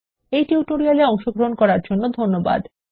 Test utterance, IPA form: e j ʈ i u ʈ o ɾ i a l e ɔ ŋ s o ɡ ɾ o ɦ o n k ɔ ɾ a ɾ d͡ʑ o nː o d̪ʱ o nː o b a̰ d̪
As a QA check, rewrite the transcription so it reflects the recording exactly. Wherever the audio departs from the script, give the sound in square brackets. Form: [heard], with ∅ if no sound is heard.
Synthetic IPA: e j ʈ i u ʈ o ɾ i a l e ɔ ŋ [ʃ] o ɡ ɾ o ɦ o n k ɔ ɾ a ɾ d͡ʑ o nː o d̪ʱ o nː o b a̰ d̪